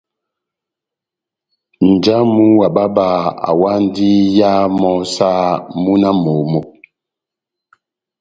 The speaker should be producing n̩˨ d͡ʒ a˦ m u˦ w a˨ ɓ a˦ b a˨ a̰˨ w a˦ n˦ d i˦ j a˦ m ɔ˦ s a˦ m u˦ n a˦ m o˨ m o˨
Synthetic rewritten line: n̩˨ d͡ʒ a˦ m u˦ w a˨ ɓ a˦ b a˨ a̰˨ w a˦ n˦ d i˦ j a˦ m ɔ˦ s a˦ m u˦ n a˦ m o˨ m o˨